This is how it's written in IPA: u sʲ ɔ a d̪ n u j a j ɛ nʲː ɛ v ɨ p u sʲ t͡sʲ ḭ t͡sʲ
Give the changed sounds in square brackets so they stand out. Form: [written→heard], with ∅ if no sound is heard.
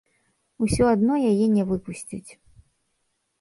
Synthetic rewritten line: u sʲ ɔ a d̪ n [u→ɔ] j a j ɛ [nʲː→nʲ] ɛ v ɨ p u sʲ t͡sʲ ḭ t͡sʲ